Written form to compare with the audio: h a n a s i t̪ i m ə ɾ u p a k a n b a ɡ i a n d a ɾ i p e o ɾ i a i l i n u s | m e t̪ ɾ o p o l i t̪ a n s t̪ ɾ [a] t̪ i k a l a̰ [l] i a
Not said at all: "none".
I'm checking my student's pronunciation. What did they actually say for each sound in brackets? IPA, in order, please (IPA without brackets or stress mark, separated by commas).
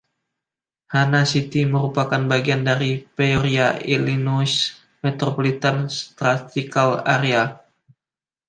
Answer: a, ɾ